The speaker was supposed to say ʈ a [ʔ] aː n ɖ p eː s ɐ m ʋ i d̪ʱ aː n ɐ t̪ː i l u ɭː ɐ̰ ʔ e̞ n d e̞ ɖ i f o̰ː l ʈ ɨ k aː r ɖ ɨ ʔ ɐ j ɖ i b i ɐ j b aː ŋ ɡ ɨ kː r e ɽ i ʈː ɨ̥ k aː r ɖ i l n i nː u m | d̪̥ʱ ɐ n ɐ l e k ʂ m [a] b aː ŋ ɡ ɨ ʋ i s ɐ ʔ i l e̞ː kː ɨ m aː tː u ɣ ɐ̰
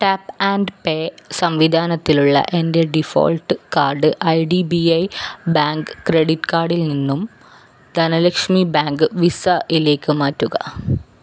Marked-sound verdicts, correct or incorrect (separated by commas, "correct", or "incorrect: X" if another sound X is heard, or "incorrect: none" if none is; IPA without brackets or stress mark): incorrect: p, incorrect: i